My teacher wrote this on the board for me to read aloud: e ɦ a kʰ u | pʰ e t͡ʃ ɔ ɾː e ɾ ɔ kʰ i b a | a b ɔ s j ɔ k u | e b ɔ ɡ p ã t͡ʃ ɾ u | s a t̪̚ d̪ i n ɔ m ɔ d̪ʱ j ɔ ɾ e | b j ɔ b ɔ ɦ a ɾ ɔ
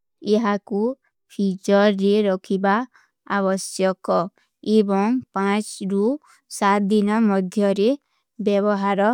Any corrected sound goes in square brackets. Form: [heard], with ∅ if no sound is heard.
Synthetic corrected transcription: e ɦ a [k] u | pʰ [i] t͡ʃ ɔ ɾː e ɾ ɔ kʰ i b a | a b ɔ s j ɔ k [ɔ] | e b ɔ [ŋ] p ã t͡ʃ ɾ u | s a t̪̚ d̪ i n ɔ m ɔ d̪ʱ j ɔ ɾ e | b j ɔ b ɔ ɦ a ɾ ɔ

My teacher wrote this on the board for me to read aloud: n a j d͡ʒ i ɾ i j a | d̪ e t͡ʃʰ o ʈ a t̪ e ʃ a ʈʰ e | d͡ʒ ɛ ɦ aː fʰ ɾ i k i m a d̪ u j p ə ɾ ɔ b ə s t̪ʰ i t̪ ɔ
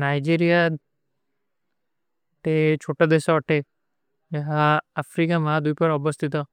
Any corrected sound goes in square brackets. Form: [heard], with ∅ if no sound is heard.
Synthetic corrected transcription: n a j d͡ʒ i ɾ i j a | [t̪] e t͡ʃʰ o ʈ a [d̪] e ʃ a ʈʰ e | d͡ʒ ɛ ɦ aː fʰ ɾ i k [a] m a d̪ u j p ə ɾ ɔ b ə s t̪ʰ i t̪ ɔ

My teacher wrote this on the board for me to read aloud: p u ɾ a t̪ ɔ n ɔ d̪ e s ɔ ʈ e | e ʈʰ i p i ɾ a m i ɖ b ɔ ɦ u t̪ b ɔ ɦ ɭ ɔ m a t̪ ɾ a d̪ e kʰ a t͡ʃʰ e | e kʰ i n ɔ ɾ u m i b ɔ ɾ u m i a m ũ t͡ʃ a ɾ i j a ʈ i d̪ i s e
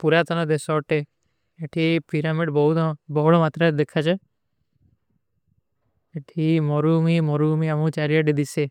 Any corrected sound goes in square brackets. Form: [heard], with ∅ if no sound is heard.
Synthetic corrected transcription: p u ɾ a t̪ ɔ n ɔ d̪ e s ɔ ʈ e | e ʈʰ i p i ɾ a m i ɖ b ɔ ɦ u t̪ b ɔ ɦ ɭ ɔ m a t̪ ɾ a d̪ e kʰ a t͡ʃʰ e | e [ʈʰ] i [m] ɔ ɾ u m i [m] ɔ ɾ u m i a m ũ t͡ʃ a ɾ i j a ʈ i d̪ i s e

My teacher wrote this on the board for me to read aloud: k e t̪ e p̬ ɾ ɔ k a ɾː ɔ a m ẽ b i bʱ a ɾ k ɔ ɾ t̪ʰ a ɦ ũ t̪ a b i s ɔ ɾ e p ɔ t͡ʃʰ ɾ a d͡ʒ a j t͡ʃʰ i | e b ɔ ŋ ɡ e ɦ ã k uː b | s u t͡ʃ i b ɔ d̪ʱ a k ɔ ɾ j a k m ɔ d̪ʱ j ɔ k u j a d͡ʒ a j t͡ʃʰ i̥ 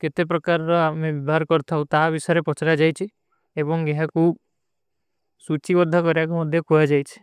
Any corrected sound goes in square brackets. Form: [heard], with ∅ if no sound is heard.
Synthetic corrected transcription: k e t̪ e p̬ ɾ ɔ k a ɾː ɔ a m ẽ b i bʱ a ɾ k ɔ ɾ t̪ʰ a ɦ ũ t̪ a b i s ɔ ɾ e p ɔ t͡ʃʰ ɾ a d͡ʒ a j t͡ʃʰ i | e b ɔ ŋ ɡ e ɦ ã k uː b | s u t͡ʃ i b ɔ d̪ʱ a k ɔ ɾ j a k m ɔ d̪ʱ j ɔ k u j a d͡ʒ a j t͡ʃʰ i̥

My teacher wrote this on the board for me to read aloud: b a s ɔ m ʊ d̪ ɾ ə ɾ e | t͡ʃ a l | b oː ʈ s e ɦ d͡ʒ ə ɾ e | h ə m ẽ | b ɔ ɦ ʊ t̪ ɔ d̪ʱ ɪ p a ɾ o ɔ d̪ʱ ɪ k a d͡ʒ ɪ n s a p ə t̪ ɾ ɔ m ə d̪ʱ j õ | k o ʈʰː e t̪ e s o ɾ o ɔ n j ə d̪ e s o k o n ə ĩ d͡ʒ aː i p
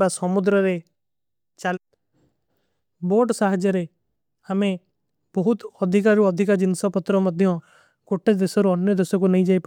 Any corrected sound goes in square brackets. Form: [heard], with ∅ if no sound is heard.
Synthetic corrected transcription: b a s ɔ m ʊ d̪ ɾ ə ɾ e | t͡ʃ a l | b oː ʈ s [a] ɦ d͡ʒ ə ɾ e | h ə m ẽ | b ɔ ɦ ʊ t̪ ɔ d̪ʱ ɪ [k] a ɾ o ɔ d̪ʱ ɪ k a d͡ʒ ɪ n s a p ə t̪ ɾ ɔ m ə d̪ʱ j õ | k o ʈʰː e [d̪] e s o ɾ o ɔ n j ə d̪ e s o k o n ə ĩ d͡ʒ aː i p

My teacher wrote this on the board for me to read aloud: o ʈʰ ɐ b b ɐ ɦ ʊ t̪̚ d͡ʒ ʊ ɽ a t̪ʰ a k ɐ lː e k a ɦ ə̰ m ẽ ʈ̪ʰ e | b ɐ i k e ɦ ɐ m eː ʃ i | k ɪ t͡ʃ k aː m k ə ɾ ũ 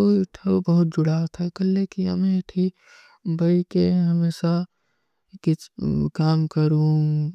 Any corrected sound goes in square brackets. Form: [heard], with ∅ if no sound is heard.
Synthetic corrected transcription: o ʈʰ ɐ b b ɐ ɦ ʊ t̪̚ d͡ʒ ʊ ɽ a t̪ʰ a k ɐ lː e k [i] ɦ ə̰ m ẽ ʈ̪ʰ [i] | b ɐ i k e ɦ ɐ m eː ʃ [a] | k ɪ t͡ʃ k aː m k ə ɾ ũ

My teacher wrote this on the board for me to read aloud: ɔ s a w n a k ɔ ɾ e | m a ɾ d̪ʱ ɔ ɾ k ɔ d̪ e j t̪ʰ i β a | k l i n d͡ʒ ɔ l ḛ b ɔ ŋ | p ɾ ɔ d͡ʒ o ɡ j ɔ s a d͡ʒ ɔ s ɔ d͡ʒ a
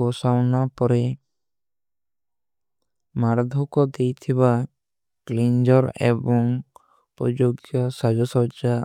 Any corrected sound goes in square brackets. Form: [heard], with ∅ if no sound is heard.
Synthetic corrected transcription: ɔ s a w n a [p] ɔ ɾ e | m a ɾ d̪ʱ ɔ [∅] k ɔ d̪ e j t̪ʰ i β a | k l i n d͡ʒ ɔ [ɾ] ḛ b ɔ ŋ | p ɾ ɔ d͡ʒ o ɡ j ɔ s a d͡ʒ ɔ s ɔ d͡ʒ a

